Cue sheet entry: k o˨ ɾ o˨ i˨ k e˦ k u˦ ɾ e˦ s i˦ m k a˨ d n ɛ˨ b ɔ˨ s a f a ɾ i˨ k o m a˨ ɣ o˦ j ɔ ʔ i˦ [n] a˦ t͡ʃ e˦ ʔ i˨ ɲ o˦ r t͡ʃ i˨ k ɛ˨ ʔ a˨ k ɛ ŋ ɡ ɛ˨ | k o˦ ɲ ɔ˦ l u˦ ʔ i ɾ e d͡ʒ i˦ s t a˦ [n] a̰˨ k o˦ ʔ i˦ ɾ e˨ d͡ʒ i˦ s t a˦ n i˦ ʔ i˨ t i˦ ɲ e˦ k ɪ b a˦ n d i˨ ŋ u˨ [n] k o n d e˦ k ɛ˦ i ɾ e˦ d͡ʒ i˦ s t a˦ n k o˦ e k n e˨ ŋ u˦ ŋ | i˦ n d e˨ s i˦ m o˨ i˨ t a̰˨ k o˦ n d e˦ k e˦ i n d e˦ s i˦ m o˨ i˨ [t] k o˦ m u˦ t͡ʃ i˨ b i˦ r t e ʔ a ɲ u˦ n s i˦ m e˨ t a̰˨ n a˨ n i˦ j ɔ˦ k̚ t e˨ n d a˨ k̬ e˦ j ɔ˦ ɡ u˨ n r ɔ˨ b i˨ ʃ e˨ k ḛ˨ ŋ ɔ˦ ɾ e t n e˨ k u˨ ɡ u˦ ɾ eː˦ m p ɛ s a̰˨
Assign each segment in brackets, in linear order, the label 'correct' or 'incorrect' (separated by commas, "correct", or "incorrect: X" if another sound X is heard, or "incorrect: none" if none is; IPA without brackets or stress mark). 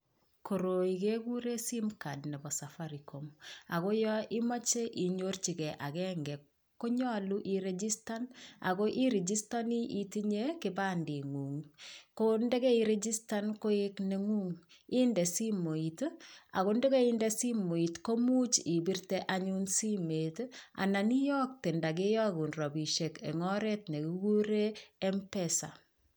incorrect: m, correct, incorrect: ŋ, correct